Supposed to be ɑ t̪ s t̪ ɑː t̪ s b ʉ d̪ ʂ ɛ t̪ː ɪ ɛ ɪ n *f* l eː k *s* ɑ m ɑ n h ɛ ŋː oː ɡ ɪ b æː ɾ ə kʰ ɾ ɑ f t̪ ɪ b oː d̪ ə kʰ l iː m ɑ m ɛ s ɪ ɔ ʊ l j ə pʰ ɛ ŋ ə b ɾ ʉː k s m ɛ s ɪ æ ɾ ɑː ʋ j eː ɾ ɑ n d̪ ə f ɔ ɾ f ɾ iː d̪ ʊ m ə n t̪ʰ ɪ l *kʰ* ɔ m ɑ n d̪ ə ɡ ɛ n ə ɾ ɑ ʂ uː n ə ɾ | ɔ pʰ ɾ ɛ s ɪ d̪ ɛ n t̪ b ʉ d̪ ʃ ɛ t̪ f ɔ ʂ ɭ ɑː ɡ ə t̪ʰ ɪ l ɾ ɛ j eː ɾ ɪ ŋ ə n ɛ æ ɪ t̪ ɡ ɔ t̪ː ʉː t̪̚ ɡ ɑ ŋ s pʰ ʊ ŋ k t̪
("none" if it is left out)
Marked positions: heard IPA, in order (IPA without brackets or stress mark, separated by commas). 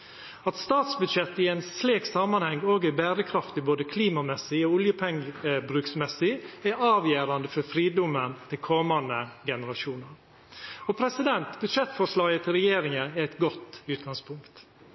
s, s, kʰ